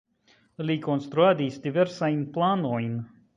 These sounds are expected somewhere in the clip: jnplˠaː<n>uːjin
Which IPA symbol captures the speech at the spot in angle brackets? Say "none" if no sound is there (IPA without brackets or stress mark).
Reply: n